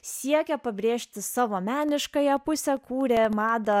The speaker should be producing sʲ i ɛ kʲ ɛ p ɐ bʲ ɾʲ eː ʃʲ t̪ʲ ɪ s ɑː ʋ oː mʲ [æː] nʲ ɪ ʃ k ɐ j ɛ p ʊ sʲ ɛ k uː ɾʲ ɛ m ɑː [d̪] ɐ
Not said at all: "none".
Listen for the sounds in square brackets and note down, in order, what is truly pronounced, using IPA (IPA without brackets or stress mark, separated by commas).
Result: æː, d̪